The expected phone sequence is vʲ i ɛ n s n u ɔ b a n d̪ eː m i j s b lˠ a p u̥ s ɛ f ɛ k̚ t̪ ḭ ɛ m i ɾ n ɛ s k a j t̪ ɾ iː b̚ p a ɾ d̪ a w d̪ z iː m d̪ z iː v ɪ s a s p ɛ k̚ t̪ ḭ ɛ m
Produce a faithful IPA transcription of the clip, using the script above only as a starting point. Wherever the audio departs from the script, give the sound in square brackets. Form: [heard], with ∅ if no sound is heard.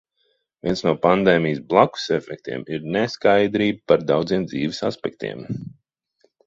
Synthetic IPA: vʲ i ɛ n s n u ɔ [p] a n d̪ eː m i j s b lˠ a [k] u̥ s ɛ f ɛ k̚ t̪ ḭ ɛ m i ɾ n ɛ s k a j [d̪] ɾ iː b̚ p a ɾ d̪ a w d̪ z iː m d̪ z iː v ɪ s a s p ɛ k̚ t̪ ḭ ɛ m